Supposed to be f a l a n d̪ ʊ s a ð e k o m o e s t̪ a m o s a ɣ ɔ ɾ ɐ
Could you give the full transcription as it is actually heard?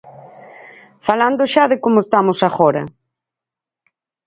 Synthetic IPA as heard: f a l a n d̪ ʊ ʃ a ð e k o m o e s t̪ a m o s a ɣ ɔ ɾ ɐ